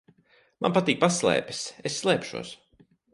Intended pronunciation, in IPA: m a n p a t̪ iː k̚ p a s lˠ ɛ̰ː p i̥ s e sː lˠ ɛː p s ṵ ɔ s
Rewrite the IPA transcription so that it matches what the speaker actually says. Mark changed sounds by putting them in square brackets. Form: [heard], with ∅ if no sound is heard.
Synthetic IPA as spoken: m a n p a t̪ iː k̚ p a s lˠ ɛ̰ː p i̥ s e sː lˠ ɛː p [ʃ] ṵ ɔ s